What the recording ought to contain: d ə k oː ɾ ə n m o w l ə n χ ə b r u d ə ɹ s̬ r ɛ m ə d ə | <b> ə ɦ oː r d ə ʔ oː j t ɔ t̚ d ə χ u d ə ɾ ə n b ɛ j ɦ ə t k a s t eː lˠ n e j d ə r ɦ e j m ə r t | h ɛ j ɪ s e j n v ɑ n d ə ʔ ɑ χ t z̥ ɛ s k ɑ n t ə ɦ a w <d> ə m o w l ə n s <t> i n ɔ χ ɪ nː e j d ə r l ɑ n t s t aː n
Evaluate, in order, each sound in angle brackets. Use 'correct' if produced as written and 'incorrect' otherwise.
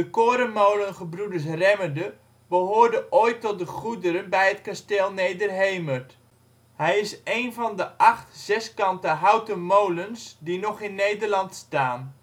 correct, incorrect, incorrect

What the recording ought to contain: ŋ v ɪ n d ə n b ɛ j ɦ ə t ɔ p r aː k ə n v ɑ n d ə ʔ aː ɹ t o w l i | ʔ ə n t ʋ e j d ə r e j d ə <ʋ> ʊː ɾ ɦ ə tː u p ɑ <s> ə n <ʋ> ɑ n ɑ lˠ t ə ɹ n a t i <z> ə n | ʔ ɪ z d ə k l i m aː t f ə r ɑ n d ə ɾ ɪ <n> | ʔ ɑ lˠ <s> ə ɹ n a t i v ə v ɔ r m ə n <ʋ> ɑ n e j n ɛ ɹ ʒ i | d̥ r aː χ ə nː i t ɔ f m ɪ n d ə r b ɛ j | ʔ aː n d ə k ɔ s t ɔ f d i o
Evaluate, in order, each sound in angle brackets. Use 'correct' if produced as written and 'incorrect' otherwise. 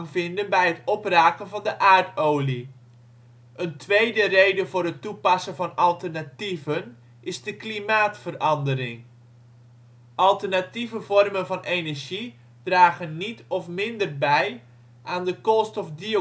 incorrect, correct, incorrect, incorrect, incorrect, incorrect, incorrect

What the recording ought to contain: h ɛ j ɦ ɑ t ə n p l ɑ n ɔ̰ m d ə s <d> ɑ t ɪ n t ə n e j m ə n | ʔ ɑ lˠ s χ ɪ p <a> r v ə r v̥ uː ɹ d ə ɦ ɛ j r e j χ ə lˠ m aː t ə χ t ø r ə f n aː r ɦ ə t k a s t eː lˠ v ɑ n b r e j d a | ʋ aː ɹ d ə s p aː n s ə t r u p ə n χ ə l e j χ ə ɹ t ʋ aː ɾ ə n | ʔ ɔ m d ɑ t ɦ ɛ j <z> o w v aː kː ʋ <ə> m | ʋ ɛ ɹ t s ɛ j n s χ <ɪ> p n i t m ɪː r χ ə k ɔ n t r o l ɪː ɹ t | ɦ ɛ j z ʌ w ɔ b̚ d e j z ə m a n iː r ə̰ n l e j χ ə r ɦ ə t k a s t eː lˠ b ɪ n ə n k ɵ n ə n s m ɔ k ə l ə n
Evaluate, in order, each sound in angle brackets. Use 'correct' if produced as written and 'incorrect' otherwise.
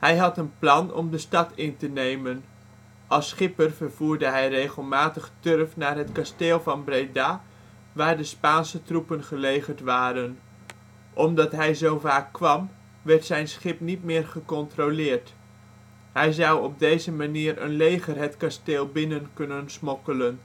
incorrect, incorrect, correct, incorrect, correct

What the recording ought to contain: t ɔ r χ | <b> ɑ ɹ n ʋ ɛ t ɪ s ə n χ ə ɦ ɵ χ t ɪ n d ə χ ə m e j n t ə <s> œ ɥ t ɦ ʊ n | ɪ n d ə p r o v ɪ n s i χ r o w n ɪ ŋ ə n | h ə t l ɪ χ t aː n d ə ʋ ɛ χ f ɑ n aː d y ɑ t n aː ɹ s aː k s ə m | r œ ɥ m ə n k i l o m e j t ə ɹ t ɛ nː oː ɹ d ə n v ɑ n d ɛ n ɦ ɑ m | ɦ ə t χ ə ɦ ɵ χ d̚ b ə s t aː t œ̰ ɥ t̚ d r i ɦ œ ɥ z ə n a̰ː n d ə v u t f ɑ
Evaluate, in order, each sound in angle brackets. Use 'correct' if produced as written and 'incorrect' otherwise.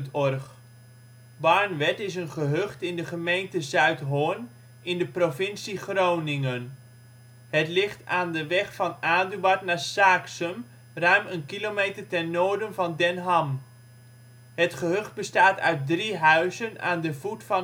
correct, incorrect

